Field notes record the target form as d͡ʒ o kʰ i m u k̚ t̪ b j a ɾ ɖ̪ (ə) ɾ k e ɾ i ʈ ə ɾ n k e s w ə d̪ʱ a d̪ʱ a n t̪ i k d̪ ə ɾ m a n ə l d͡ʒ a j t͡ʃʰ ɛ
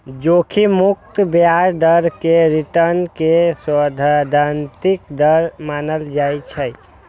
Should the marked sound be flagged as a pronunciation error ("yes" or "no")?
no